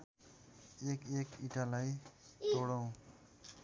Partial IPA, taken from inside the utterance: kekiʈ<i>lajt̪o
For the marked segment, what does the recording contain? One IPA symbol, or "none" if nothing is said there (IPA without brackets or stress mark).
a